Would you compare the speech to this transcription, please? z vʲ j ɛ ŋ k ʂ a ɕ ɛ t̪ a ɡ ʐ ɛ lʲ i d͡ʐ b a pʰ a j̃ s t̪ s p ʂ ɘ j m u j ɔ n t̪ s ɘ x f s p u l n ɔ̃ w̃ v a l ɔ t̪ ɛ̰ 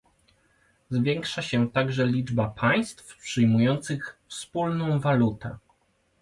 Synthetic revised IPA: z vʲ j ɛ ŋ k ʂ a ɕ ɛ t̪ a ɡ ʐ ɛ lʲ i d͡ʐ b a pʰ a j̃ s t̪ f p ʂ ɘ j m u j ɔ n t̪ s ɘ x f s p u l n ɔ̃ w̃ v a l u t̪ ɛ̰